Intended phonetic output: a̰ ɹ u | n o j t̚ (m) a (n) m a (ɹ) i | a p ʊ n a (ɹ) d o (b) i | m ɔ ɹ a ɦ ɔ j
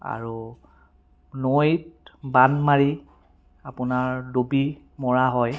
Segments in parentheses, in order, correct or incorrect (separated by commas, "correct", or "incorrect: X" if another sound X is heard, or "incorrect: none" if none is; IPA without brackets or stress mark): incorrect: b, correct, correct, correct, correct